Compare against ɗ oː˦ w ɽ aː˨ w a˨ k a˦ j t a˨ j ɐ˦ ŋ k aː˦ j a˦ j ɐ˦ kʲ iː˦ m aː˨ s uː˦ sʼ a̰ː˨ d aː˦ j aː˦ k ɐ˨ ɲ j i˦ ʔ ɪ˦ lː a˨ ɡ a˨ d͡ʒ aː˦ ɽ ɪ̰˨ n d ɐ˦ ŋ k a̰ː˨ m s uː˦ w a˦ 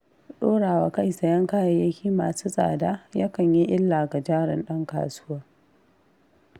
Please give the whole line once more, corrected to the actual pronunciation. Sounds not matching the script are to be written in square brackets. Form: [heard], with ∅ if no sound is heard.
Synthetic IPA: ɗ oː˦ [∅] ɽ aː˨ w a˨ k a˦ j [s] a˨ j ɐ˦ ŋ k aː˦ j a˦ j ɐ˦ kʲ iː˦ m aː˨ s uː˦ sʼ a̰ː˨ d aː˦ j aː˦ k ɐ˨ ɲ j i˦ ʔ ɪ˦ lː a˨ ɡ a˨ d͡ʒ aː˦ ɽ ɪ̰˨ n [ɗ] ɐ˦ ŋ k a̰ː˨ [∅] s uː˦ w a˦